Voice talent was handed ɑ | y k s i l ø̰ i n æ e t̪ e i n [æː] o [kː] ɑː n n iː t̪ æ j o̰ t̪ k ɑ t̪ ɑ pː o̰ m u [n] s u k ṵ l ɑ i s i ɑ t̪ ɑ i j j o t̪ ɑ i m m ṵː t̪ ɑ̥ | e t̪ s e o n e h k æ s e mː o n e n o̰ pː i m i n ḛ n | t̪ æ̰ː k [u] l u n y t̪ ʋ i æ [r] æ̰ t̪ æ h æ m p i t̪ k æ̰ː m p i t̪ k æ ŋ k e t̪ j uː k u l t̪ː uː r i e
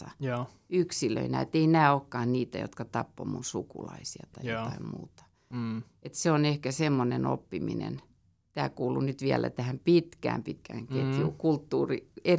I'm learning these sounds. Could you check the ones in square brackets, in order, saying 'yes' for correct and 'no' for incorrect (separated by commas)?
yes, yes, yes, no, no